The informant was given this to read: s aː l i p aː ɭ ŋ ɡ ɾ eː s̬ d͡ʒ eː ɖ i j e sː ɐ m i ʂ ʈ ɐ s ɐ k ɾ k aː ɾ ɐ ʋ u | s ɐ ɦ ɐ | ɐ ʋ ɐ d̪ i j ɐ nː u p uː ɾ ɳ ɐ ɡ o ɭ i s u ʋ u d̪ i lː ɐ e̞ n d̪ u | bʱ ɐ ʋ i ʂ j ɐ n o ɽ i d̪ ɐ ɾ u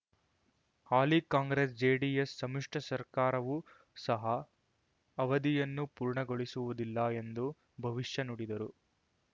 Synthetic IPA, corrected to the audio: h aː l i k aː ŋ ɡ ɾ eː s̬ d͡ʒ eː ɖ i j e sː ɐ m i ʂ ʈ ɐ s ɐ ɾ k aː ɾ ɐ ʋ u | s ɐ ɦ ɐ | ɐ ʋ ɐ d̪ i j ɐ nː u p uː ɾ ɳ ɐ ɡ o ɭ i s u ʋ u d̪ i lː ɐ e̞ n d̪ u | bʱ ɐ ʋ i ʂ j ɐ n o ɽ i d̪ ɐ ɾ u